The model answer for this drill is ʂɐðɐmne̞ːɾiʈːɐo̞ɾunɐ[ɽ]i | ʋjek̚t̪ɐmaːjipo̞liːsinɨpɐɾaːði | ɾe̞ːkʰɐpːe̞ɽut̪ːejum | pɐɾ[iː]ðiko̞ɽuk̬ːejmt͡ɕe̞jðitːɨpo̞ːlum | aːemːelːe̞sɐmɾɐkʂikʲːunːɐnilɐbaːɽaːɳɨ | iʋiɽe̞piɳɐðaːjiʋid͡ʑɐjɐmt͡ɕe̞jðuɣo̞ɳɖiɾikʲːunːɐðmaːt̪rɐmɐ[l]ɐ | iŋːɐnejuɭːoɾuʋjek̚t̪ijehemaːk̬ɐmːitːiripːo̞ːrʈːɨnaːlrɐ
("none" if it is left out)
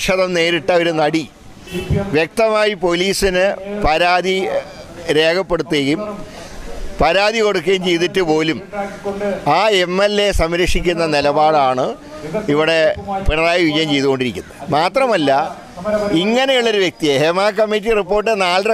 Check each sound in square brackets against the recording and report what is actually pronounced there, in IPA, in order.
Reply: ɽ, aː, lː

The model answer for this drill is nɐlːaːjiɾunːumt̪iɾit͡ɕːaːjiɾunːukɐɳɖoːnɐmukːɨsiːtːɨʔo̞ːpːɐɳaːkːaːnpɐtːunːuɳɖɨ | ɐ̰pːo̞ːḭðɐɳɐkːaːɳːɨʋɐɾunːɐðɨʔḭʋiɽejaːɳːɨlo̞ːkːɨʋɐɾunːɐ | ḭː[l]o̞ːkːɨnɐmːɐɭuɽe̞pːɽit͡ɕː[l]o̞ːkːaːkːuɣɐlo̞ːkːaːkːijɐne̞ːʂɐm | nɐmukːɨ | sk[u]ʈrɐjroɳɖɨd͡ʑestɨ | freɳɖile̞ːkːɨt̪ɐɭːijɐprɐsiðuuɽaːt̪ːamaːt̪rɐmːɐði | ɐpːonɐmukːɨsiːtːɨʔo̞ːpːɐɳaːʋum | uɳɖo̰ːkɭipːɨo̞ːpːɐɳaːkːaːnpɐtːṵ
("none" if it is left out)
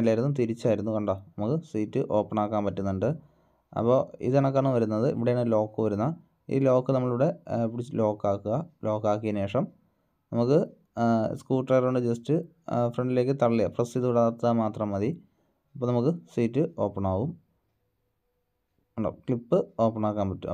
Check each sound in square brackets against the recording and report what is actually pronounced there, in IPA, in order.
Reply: l, l, uː

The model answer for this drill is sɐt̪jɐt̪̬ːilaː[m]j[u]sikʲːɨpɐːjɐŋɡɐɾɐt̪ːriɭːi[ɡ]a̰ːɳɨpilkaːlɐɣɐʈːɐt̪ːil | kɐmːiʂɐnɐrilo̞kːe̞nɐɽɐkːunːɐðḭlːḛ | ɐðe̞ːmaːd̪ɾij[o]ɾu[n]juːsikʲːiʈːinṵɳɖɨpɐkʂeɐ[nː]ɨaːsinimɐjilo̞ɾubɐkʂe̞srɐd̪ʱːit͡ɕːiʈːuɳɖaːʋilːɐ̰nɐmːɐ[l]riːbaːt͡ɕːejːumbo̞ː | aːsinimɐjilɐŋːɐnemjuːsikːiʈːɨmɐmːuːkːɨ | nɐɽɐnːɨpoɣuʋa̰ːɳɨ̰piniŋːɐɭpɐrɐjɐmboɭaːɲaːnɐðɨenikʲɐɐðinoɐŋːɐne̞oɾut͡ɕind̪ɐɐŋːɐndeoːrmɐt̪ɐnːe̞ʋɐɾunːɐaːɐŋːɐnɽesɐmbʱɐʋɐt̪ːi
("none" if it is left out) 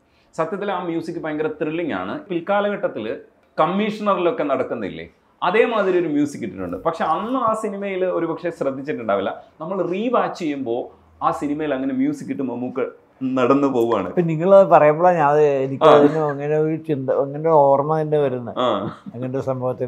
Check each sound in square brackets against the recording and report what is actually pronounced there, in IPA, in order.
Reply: m, uː, ŋ, o, m, nː, ɭ

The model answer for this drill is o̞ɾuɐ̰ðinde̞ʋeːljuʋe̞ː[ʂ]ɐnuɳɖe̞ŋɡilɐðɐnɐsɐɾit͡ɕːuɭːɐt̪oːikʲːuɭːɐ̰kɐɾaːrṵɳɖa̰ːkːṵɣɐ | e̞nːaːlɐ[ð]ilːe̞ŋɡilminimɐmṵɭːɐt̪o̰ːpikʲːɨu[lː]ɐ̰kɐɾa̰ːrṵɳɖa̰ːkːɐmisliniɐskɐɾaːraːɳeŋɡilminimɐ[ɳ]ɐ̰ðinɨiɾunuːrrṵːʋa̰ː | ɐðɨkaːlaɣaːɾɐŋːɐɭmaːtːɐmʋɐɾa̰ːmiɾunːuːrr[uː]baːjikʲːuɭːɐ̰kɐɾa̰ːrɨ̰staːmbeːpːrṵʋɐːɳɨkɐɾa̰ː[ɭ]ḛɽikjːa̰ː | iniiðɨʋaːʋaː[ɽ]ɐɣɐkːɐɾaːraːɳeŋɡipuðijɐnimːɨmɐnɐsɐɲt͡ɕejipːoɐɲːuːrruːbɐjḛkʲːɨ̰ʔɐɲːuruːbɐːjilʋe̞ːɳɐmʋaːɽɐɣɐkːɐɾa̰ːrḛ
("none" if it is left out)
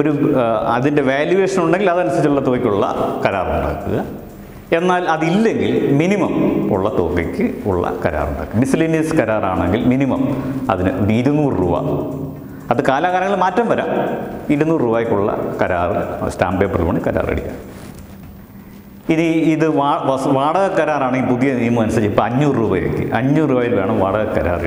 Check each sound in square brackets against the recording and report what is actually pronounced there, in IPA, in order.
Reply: ʂ, ð, ɭː, m, uː, r, ɽ

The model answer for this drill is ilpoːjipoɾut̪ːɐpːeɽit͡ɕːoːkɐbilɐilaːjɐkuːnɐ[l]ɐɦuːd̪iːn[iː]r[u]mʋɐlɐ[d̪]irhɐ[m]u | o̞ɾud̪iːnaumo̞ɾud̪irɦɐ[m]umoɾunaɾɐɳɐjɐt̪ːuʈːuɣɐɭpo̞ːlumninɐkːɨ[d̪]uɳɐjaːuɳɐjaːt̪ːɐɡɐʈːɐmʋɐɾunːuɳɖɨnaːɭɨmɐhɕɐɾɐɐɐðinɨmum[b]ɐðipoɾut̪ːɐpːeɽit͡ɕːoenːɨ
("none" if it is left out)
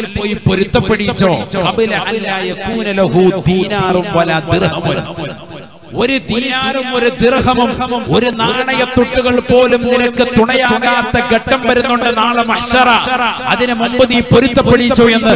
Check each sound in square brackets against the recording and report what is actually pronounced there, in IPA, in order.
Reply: l, aː, u, d̪, m, m, t̪, b

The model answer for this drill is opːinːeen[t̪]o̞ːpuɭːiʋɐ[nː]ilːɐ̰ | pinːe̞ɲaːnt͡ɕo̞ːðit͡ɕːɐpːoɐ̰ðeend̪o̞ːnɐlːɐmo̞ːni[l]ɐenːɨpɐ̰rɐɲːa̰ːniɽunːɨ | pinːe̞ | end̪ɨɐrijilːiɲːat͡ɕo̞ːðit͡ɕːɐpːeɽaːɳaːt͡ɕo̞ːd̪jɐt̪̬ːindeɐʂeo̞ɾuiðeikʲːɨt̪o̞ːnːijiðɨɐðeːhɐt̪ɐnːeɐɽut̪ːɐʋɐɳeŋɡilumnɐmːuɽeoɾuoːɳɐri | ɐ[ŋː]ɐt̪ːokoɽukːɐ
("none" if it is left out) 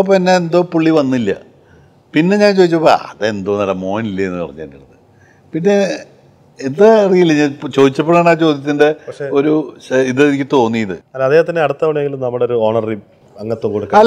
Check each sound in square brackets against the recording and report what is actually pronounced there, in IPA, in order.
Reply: d̪, nː, lː, ŋː

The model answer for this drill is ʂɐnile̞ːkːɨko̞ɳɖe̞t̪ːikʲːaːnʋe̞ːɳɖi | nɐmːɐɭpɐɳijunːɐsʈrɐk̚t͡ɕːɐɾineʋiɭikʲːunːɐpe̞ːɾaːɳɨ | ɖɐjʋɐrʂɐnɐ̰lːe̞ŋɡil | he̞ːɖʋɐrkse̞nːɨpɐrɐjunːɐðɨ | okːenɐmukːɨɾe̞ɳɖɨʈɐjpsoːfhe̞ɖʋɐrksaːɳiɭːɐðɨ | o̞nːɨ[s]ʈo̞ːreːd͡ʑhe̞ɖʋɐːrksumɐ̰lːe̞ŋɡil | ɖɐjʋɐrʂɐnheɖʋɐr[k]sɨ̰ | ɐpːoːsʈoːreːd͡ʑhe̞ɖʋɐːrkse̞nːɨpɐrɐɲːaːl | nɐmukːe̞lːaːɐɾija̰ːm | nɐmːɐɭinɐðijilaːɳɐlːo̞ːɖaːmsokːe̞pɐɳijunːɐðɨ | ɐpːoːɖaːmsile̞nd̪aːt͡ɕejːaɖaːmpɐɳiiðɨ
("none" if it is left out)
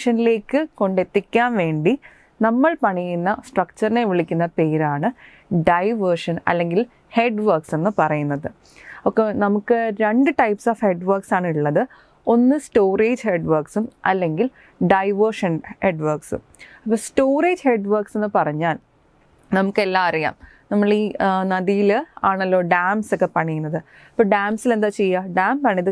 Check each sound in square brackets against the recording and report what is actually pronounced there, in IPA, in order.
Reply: s, k

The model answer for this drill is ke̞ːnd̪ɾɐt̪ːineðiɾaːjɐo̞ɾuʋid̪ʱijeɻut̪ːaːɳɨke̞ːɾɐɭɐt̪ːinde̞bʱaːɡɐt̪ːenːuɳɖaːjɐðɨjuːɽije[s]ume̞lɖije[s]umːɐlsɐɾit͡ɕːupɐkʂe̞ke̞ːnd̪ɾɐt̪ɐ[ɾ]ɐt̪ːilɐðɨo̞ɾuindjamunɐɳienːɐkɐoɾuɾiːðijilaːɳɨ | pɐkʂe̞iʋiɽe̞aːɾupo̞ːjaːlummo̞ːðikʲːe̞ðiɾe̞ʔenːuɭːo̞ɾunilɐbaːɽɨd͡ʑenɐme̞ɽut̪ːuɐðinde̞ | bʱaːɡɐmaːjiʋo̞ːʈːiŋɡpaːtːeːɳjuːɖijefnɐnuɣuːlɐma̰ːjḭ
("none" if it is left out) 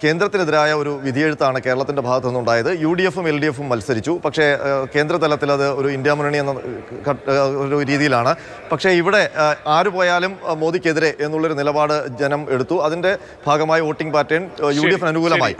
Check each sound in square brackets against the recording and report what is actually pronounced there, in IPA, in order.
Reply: f, f, l

